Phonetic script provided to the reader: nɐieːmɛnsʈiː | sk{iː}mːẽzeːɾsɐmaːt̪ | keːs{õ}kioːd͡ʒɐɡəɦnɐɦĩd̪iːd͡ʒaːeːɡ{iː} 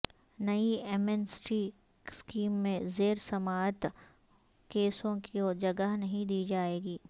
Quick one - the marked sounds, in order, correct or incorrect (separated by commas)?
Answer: correct, correct, correct